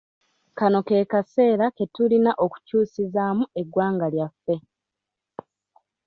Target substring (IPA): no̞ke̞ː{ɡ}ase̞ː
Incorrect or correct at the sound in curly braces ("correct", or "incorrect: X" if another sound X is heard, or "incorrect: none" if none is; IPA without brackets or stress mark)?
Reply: incorrect: k